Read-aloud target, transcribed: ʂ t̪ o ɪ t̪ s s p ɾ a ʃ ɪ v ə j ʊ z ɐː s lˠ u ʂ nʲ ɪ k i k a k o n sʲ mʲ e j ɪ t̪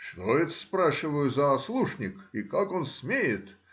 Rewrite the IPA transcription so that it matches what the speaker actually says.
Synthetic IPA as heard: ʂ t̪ o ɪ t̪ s s p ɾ a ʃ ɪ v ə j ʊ z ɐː s lˠ u ʂ nʲ ɪ k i k a k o n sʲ mʲ e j ɪ t̪